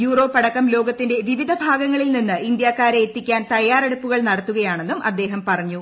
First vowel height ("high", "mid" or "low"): high